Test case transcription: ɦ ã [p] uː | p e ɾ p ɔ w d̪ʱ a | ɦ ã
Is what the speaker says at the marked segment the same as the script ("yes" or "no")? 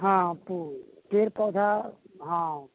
yes